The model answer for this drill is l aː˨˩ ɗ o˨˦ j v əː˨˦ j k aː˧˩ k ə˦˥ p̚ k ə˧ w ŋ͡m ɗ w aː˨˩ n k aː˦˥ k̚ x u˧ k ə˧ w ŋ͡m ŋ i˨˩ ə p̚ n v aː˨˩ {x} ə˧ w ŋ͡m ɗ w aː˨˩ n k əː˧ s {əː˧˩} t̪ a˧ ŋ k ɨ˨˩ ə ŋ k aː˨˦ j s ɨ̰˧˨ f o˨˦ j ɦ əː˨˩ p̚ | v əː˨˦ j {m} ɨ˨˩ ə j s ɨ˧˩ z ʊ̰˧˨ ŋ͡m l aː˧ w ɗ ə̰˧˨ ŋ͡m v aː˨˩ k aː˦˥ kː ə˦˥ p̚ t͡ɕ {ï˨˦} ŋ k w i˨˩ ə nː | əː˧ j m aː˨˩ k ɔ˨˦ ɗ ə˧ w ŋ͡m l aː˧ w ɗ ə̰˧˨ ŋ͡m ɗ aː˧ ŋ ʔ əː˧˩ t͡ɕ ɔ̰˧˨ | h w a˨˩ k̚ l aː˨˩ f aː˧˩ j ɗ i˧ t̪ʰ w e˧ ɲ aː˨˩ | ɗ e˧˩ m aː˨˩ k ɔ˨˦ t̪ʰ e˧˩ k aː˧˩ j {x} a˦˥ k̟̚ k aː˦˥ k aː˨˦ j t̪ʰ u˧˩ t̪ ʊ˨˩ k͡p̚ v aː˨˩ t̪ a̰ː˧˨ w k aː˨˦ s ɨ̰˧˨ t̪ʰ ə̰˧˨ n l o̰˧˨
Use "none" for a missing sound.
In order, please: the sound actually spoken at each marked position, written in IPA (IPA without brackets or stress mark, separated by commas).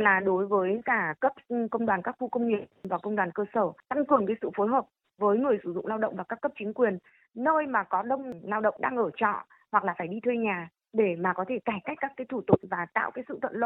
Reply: k, əː˧˩, ŋ, ï˨˦, k